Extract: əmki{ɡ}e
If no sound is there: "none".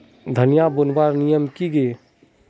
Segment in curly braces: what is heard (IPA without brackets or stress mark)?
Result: ɡ